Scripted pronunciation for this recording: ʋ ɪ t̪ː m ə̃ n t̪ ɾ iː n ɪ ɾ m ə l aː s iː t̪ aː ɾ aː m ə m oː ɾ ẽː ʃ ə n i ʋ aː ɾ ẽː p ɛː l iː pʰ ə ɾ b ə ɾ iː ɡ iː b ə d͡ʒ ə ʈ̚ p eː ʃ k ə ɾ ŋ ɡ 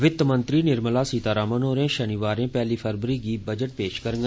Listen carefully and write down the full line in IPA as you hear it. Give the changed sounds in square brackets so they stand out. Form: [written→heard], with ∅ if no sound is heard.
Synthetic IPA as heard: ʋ ɪ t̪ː m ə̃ n t̪ ɾ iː n ɪ ɾ m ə l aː s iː t̪ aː ɾ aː m ə [m→n] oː ɾ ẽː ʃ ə n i ʋ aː ɾ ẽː p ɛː l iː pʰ ə ɾ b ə ɾ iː ɡ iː b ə d͡ʒ ə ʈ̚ p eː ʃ k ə ɾ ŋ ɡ